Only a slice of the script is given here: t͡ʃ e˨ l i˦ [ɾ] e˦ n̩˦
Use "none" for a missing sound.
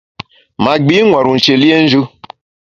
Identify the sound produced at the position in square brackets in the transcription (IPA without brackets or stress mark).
none